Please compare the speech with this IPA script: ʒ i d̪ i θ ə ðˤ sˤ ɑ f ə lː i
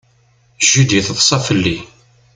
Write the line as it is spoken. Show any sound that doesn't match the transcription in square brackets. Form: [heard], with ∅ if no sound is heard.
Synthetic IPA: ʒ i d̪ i θ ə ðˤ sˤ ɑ f ə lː i